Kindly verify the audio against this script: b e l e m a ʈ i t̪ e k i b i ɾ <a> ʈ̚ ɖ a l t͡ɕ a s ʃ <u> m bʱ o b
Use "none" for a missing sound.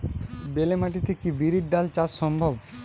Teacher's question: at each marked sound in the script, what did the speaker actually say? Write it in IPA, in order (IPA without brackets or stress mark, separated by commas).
i, ɔ